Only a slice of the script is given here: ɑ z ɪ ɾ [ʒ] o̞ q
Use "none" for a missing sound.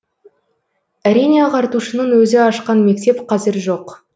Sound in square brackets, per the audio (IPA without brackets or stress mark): ʒ